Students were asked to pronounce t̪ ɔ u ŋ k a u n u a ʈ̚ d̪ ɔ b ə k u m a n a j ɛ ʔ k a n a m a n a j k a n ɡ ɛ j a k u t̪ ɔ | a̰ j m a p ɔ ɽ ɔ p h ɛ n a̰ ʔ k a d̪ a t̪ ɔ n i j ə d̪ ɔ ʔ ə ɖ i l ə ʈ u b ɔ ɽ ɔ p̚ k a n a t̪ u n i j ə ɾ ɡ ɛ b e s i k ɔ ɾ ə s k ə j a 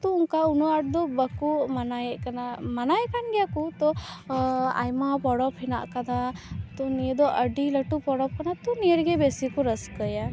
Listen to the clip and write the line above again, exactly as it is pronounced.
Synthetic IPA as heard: t̪ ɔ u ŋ k a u n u a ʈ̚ d̪ ɔ b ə k u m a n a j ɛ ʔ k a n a m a n a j k a n ɡ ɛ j a k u t̪ ɔ | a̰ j m a p ɔ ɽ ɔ p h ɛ n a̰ ʔ k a d̪ a t̪ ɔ n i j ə d̪ ɔ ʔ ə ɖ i l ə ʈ u p ɔ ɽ ɔ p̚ k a n a t̪ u n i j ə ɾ ɡ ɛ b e s i k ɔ ɾ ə s k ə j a